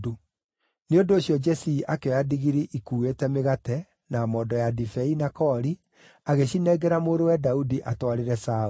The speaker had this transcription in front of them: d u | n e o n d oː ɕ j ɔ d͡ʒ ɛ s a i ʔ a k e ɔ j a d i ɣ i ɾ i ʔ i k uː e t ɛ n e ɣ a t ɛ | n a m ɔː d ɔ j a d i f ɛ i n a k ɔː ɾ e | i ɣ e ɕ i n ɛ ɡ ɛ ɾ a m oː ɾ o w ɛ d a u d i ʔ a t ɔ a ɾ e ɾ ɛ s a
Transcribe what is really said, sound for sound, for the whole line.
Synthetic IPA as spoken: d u | n e o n d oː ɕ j ɔ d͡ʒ ɛ s i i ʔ a k e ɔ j a d i ɣ i ɾ i ʔ i k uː e t ɛ m e ɣ a t ɛ | n a m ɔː d ɔ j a d i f ɛ i n a k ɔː ɾ i | a ɣ e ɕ i n ɛ ɡ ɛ ɾ a m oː ɾ o w ɛ d a u d i ʔ a t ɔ a ɾ e ɾ ɛ s a